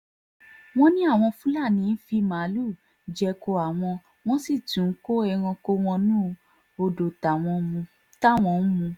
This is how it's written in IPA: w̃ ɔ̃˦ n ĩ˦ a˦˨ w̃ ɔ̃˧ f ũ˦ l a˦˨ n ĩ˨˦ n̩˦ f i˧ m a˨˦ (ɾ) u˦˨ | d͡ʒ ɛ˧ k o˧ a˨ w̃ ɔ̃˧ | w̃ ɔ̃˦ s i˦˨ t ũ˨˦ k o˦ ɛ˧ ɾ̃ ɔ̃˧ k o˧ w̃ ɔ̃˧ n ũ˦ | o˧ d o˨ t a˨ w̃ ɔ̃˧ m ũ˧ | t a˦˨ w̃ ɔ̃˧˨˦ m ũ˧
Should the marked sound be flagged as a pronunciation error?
yes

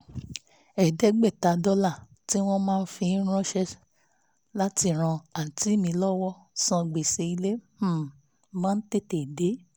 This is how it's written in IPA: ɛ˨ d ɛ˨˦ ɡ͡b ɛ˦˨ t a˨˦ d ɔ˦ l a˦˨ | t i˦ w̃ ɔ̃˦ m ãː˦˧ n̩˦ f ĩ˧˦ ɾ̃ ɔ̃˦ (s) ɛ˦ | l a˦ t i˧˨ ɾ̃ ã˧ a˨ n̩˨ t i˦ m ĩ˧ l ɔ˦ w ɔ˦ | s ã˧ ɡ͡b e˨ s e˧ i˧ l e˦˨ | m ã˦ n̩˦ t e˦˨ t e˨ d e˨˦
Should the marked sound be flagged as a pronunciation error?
yes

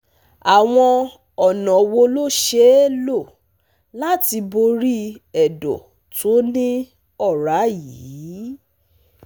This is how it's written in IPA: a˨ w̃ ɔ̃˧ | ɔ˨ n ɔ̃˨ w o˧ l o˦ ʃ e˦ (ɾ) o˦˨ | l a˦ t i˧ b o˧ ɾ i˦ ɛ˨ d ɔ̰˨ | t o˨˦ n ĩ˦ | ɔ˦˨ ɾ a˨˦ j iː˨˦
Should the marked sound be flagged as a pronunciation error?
yes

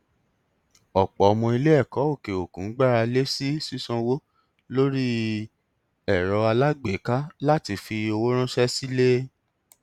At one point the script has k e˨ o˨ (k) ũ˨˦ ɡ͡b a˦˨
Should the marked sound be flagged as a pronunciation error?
no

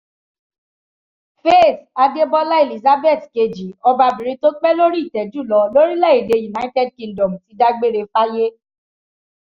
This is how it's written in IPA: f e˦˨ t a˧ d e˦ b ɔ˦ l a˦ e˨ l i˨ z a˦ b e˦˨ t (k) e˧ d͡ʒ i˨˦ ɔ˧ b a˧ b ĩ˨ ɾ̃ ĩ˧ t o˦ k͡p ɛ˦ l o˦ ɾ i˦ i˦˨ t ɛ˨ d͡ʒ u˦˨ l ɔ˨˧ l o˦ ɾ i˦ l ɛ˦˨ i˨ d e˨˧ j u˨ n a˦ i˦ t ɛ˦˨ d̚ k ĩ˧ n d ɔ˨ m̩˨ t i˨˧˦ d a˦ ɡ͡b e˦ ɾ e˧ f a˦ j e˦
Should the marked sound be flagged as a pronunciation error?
no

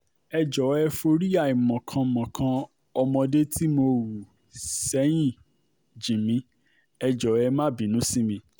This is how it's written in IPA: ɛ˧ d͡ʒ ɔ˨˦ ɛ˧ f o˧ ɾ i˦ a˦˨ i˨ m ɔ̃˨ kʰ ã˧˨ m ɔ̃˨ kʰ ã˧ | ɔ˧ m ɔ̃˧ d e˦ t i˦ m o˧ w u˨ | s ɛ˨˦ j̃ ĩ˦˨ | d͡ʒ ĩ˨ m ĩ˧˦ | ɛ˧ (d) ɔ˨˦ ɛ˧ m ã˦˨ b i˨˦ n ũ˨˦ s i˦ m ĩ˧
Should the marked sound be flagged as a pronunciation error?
yes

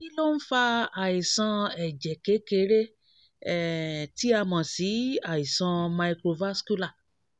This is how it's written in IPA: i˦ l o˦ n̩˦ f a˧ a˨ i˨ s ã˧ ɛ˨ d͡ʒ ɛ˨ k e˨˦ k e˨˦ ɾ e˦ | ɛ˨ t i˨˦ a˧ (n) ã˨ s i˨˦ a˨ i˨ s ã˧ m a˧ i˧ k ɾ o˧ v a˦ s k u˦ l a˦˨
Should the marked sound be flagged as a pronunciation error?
yes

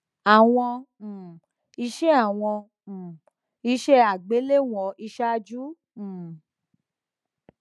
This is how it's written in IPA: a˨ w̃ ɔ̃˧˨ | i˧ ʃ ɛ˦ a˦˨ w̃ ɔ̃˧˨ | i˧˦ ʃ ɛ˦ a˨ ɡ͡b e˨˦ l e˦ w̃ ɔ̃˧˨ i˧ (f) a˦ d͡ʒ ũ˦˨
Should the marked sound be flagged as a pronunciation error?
yes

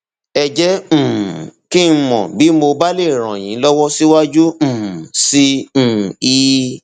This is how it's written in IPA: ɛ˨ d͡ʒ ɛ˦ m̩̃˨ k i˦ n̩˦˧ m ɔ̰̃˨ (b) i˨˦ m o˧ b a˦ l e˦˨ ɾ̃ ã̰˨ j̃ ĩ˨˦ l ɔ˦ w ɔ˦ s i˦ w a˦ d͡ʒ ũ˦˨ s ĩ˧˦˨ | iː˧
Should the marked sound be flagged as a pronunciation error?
no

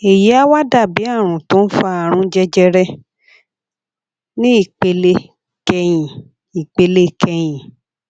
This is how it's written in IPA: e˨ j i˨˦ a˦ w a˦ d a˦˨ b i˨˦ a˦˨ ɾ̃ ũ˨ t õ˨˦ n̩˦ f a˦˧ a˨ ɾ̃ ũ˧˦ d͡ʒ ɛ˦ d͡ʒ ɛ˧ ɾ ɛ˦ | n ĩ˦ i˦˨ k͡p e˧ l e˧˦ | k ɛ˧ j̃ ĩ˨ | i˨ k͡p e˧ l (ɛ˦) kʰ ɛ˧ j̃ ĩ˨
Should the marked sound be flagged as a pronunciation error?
yes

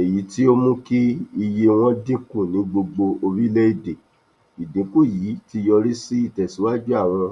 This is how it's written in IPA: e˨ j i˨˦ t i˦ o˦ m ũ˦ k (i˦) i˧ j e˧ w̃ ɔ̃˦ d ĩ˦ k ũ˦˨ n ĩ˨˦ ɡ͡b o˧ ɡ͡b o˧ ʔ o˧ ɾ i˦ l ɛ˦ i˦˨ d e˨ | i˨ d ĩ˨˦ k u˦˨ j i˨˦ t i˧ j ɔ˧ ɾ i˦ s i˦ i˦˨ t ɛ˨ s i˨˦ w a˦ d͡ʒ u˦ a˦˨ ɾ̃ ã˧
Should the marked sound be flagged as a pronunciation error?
no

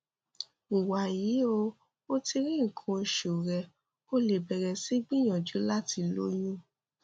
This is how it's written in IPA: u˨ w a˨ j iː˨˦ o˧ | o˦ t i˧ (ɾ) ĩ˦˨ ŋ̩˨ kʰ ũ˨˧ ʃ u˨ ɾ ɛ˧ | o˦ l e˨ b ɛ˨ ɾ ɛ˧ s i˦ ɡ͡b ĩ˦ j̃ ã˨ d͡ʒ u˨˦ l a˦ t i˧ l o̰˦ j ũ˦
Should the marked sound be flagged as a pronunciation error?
no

